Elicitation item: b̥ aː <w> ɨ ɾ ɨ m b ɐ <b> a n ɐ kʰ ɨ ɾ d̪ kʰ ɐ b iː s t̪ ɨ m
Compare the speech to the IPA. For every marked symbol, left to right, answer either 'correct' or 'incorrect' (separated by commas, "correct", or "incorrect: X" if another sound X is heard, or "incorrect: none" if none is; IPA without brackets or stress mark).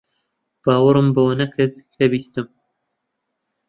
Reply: correct, incorrect: w